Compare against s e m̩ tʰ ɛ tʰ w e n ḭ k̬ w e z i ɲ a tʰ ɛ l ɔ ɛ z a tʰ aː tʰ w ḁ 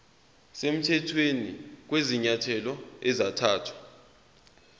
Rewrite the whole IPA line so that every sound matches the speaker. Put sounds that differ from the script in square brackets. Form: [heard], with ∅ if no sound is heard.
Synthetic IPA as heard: s e m̩ tʰ ɛ tʰ w e n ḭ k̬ w e z i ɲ a tʰ ɛ l ɔ ɛ z a tʰ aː tʰ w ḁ

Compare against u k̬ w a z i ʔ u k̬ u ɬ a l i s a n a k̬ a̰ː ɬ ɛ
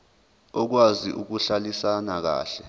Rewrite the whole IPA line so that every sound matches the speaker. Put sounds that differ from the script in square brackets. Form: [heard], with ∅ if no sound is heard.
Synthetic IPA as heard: [ɔ] k̬ w a z i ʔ u k̬ u ɬ a l i s a n a k̬ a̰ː ɬ ɛ

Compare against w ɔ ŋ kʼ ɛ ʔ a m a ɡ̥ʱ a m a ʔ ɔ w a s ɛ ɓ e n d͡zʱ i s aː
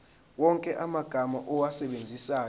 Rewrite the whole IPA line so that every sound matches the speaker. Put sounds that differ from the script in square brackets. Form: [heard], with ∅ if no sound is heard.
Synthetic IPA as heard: w ɔ ŋ kʼ ɛ ʔ a m a ɡ̥ʱ a m a ʔ ɔ w a s ɛ ɓ e n d͡zʱ i s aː

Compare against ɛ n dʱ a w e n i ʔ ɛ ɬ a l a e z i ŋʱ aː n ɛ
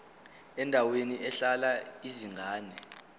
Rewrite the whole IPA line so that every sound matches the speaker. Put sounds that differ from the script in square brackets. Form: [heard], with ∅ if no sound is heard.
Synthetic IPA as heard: ɛ n dʱ a w e n i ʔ ɛ ɬ a l a [i] z i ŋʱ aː n ɛ

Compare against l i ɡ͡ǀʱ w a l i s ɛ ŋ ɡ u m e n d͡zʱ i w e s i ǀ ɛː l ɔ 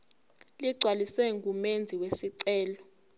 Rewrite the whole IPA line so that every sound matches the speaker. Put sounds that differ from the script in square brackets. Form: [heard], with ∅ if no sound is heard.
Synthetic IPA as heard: l i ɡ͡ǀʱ w a l i s ɛ ŋ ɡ u m e n d͡zʱ i w e s i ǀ ɛː l ɔ

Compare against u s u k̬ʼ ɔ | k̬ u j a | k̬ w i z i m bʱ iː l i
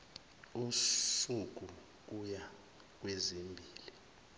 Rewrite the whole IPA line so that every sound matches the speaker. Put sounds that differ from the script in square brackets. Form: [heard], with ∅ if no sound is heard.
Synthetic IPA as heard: u s u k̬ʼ [u] | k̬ u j a | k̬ w [e] z i m bʱ iː l i

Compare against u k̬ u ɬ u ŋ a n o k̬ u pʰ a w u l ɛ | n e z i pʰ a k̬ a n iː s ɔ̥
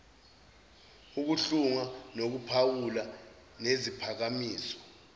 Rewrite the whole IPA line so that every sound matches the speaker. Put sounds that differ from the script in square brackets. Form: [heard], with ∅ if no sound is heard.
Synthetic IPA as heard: u k̬ u ɬ u ŋ a n o k̬ u pʰ a w u l [a] | n e z i pʰ a k̬ a [m] iː s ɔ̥

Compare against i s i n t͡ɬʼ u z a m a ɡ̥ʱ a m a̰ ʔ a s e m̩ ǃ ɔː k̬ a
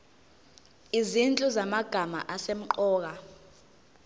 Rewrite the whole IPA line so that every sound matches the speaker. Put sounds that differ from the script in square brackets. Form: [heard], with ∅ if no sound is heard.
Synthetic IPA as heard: i [z] i n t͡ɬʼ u z a m a ɡ̥ʱ a m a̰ ʔ a s e m̩ ǃ ɔː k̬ a

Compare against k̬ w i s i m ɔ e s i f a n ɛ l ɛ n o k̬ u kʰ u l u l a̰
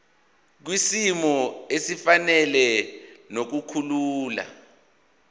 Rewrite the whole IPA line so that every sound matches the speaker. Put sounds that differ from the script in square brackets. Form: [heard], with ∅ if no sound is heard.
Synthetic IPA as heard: k̬ w i s i m ɔ e s i f a n ɛ l ɛ n o k̬ u kʰ u l [uː] l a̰

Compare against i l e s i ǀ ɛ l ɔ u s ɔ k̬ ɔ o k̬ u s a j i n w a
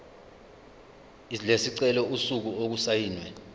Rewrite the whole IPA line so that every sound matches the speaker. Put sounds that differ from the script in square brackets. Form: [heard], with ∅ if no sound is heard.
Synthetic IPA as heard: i l e s i ǀ ɛ l ɔ u s [u] k̬ [u] o k̬ u s a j [iː] n w [ɛ]

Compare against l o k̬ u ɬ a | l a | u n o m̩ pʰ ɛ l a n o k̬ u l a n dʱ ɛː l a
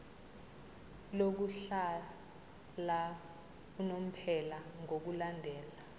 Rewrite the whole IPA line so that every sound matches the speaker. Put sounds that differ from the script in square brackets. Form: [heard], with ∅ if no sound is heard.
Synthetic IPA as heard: l o k̬ u ɬ a | l a | u n o m̩ pʰ ɛ l a [ŋ] o k̬ u l a n dʱ ɛː l a

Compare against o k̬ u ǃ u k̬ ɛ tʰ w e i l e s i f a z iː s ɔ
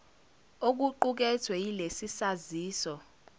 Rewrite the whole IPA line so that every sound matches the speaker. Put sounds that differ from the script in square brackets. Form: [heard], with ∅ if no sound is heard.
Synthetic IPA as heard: o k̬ u ǃ u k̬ ɛ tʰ w [ɛ] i l e s i [s] a z iː s ɔ

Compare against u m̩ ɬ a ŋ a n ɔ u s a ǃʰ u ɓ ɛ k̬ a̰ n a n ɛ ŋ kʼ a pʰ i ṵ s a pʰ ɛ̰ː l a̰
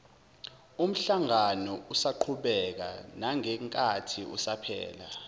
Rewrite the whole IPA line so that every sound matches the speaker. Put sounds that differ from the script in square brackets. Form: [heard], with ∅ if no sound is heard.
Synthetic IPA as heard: u m̩ ɬ a ŋ a n ɔ u s a ǃʰ u ɓ ɛ k̬ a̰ n a [ŋ] ɛ ŋ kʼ a [tʰ] i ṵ s a pʰ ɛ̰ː l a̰

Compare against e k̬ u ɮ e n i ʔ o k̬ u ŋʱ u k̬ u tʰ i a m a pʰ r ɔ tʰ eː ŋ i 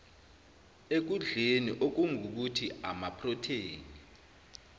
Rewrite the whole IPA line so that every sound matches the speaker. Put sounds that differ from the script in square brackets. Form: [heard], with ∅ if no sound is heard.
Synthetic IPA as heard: e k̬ u ɮ e n i ʔ o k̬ u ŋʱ u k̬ u tʰ i a m a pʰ r ɔ tʰ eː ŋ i

